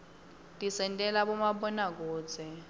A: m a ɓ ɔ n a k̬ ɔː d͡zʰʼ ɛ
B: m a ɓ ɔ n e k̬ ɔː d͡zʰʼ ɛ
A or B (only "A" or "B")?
A